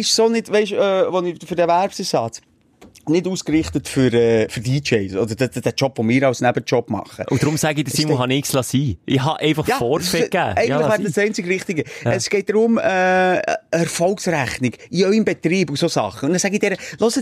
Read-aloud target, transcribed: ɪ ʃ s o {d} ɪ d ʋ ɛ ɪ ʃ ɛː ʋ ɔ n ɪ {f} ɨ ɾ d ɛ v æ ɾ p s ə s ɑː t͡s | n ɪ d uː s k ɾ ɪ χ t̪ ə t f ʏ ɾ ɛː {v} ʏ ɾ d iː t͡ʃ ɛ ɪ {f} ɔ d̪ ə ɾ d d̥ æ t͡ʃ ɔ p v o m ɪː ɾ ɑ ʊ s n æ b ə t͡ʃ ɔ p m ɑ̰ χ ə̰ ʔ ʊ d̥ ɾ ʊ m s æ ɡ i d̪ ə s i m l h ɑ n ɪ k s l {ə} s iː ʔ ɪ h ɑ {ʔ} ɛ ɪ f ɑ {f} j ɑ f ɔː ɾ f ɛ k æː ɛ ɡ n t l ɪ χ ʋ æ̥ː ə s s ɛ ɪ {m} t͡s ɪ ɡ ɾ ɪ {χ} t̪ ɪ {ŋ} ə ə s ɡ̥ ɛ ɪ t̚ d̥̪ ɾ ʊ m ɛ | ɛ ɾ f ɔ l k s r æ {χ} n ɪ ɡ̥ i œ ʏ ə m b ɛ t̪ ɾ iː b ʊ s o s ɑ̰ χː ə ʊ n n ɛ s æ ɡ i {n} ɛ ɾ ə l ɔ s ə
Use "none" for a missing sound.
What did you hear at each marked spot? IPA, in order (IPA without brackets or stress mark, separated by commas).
n, f, f, s, ɑ, ʔ, χ, n, χ, ɡ, χ, d